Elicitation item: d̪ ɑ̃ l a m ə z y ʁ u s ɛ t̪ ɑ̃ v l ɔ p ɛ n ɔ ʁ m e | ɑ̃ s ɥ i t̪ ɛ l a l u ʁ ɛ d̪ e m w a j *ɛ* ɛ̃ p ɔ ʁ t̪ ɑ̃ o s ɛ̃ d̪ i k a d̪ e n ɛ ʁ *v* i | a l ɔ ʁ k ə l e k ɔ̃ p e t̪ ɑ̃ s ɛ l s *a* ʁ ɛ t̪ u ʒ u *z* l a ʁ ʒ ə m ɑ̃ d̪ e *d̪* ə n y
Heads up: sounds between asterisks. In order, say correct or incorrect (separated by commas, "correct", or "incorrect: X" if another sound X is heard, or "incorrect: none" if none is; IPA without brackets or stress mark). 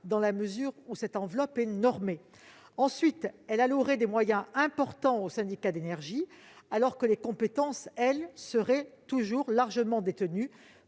incorrect: ɛ̃, incorrect: ʒ, incorrect: ə, incorrect: ʁ, incorrect: t̪